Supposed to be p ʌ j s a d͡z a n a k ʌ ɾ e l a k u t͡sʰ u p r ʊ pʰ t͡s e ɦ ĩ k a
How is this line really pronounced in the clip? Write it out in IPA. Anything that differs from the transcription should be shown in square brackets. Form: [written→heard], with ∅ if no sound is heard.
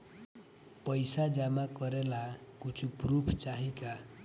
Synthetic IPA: p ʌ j s a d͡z a [n→m] a k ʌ ɾ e l a k u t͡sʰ u p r [ʊ→u] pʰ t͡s [e→a] ɦ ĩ k a

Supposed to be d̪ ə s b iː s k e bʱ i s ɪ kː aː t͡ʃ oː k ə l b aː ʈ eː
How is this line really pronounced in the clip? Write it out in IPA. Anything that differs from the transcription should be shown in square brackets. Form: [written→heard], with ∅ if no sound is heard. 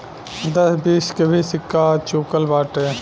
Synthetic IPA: d̪ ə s b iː s k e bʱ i s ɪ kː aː t͡ʃ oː k ə l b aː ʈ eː

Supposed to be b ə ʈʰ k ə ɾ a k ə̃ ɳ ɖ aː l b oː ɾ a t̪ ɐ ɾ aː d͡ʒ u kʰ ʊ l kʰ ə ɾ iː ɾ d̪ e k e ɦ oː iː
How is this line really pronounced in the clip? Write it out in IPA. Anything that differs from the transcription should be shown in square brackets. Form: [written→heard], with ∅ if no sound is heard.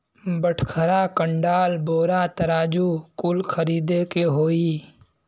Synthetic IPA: b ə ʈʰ [k→kʰ] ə ɾ a k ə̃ ɳ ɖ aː l b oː ɾ a t̪ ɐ ɾ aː d͡ʒ u [kʰ→k] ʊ l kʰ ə ɾ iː [ɾ→∅] d̪ e k e ɦ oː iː

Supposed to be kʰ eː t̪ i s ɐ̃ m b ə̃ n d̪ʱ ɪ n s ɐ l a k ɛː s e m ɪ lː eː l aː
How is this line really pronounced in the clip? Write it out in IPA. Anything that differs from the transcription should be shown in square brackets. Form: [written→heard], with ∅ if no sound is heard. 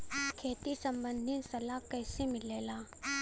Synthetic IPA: kʰ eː t̪ i s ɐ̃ m b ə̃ n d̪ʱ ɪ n s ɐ l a k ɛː s e m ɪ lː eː l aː

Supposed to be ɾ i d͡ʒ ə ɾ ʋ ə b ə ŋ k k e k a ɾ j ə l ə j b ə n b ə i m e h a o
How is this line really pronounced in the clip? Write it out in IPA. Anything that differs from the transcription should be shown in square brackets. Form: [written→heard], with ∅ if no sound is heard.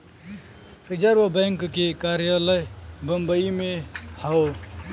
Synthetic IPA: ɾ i d͡ʒ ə ɾ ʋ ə b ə ŋ k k e k a ɾ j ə l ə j b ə [n→m] b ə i m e h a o

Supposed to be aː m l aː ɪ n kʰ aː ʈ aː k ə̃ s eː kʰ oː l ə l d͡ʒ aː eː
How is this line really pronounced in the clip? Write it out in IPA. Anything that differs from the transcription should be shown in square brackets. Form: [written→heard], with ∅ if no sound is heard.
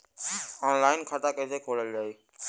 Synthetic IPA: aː [m→n] l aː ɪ n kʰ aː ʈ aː k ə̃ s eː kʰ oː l ə l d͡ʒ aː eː

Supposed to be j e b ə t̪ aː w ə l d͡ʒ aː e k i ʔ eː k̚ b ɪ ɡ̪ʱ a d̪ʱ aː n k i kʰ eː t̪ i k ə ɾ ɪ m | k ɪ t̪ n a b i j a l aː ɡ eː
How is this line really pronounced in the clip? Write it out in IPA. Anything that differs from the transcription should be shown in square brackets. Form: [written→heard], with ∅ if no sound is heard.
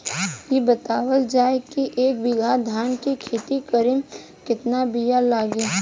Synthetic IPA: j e b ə t̪ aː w ə l d͡ʒ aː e k i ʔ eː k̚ b ɪ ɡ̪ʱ a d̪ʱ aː n k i kʰ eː t̪ i k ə ɾ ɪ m | k ɪ t̪ n a b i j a l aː ɡ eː

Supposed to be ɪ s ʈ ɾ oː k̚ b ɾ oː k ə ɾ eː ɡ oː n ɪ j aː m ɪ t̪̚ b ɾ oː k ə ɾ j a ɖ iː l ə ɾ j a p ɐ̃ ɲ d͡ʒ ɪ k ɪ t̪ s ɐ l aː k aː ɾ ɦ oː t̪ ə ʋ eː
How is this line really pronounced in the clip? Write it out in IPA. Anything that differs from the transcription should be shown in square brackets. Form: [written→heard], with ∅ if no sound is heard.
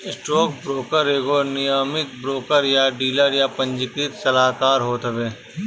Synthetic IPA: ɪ s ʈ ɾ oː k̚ b ɾ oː k ə ɾ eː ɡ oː n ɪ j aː m ɪ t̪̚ b ɾ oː k ə ɾ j a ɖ iː l ə ɾ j a p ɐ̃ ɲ d͡ʒ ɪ k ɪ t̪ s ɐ l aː k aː ɾ ɦ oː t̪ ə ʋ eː

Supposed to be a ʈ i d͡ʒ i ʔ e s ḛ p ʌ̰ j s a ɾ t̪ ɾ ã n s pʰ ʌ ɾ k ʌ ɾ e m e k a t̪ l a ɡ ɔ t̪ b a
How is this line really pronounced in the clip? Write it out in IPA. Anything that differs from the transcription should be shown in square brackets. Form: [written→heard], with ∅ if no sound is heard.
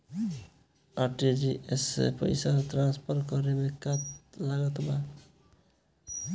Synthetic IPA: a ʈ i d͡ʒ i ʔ e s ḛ p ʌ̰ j s a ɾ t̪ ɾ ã n s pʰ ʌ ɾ k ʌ ɾ e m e k a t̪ l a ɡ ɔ t̪ b a

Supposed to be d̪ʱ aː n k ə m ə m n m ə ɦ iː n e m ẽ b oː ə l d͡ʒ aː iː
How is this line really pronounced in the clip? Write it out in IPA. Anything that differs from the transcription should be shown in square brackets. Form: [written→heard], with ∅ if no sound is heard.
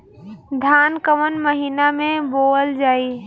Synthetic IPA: d̪ʱ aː n k ə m ə [m→∅] n m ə ɦ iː n [e→a] m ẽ b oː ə l d͡ʒ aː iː

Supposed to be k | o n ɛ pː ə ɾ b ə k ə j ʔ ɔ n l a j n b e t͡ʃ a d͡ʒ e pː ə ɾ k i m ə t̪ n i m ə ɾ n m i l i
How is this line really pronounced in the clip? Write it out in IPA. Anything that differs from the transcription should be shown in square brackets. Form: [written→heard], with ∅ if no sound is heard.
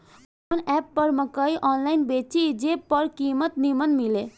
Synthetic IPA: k | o n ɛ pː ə ɾ [b→m] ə k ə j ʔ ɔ n l a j n b e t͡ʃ [a→i] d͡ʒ e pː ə ɾ k i m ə t̪ n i m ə [ɾ→∅] n m i l [i→e]

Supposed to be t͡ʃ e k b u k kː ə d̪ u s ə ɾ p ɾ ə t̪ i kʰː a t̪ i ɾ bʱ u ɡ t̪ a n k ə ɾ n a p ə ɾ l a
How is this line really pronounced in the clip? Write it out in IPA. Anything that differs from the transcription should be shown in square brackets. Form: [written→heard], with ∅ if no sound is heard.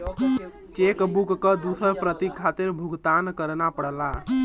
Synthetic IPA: t͡ʃ e k b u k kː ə d̪ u s ə ɾ p ɾ ə t̪ i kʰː a t̪ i ɾ bʱ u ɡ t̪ a n k ə ɾ n a p ə [ɾ→ɽ] l a

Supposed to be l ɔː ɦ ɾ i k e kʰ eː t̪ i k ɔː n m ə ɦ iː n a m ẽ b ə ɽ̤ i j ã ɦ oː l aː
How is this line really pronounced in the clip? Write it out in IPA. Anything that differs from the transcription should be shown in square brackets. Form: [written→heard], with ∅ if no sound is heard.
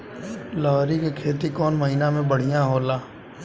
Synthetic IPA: l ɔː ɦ ɾ i k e kʰ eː t̪ i k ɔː n m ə ɦ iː n a m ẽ b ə ɽ̤ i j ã ɦ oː l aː

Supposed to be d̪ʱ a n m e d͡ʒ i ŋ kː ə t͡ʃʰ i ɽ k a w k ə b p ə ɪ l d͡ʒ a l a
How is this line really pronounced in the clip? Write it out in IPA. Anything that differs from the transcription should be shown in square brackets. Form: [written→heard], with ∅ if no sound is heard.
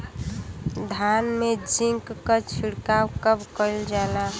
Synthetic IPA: d̪ʱ a n m e d͡ʒ i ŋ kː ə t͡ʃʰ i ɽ k a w k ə b [p→k] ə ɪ l d͡ʒ a l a

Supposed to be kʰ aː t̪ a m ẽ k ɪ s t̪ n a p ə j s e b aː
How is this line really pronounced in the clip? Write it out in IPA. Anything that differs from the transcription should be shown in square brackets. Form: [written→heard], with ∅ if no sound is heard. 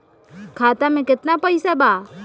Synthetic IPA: kʰ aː t̪ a m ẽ k ɪ [s→∅] t̪ n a p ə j s [e→a] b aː

